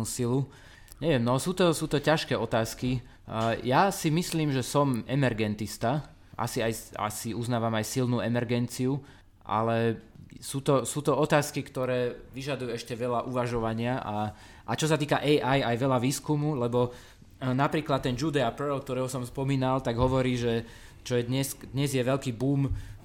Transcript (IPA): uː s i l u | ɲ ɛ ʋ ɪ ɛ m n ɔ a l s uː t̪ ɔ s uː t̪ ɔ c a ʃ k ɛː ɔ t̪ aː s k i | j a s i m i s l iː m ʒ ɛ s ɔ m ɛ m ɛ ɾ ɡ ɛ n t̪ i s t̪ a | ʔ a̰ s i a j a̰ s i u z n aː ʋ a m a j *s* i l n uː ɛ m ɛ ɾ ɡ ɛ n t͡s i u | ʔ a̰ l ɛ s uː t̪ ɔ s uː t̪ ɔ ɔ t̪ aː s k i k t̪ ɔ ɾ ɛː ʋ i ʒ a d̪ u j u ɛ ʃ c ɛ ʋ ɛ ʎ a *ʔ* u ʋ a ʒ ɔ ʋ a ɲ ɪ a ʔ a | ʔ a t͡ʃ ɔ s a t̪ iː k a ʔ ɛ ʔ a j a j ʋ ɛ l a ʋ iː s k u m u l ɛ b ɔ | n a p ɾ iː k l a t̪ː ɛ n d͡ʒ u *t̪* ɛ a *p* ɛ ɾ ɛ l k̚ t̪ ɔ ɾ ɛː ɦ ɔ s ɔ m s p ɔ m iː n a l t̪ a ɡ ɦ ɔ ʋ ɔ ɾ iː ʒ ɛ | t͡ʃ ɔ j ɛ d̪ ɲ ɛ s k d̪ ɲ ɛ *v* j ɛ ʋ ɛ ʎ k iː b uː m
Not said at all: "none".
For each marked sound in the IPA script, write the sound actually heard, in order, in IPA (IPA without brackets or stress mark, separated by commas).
s, ʔ, d̪, p, z